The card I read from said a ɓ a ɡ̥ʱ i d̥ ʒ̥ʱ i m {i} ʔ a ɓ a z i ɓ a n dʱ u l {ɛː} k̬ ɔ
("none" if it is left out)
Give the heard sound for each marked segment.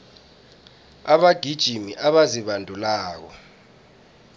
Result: i, aː

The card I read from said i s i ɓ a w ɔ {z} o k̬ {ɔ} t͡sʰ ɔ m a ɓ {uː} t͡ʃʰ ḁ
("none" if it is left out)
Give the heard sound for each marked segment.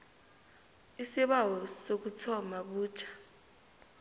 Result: s, u, uː

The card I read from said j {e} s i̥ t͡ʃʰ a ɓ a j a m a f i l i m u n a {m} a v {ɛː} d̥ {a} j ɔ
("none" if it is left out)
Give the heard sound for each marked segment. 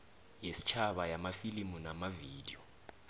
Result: e, m, iː, i

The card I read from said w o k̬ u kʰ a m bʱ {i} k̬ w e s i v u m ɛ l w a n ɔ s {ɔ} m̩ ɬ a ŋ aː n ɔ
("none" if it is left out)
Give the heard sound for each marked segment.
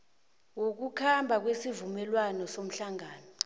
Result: a, o

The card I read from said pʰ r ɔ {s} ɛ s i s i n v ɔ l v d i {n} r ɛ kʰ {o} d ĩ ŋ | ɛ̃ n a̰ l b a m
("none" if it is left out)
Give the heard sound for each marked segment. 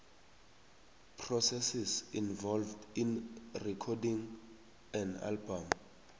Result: s, n, ɔ

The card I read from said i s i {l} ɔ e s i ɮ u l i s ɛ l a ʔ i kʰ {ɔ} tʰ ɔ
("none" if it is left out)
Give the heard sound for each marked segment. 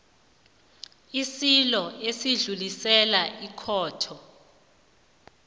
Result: l, ɔː

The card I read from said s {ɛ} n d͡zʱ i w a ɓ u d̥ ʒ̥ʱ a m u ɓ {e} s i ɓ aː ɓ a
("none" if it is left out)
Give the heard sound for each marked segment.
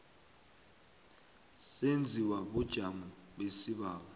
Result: e, e

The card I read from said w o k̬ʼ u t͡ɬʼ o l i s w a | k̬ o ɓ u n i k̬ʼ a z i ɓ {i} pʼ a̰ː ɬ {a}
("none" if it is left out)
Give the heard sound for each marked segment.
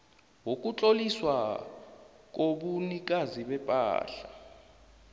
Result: ɛ, a

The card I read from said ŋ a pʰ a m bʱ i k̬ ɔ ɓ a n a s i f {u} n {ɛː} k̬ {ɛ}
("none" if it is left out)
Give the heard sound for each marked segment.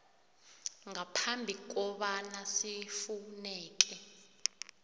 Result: u, ɛː, ɛ

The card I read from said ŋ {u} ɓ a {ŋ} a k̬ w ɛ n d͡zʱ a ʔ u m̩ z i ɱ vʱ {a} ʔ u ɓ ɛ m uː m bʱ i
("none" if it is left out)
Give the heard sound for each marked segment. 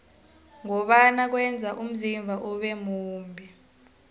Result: ɔ, n, a

